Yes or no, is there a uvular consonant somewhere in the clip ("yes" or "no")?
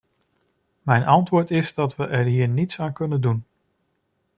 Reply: no